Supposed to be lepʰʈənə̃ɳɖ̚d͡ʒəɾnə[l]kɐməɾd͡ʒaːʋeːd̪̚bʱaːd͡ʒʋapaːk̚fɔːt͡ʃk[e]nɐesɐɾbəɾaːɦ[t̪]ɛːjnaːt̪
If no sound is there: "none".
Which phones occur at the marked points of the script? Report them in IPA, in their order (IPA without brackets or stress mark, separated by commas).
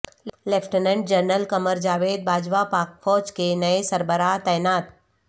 l, e, t̪